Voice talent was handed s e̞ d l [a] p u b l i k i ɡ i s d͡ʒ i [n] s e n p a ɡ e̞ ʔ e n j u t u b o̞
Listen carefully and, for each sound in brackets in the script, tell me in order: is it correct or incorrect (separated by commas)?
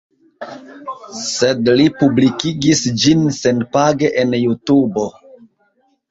incorrect, correct